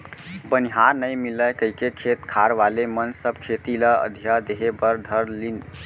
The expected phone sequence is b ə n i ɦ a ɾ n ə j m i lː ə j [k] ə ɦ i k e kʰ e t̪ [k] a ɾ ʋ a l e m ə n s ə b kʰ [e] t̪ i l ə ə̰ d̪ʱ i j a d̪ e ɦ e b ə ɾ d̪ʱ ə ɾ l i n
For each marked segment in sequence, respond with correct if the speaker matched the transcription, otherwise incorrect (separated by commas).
correct, incorrect, correct